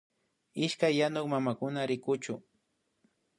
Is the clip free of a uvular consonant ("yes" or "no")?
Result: yes